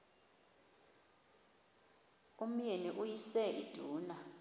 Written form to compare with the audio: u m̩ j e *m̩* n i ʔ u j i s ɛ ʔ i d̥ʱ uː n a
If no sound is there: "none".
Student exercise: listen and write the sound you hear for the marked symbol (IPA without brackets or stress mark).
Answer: none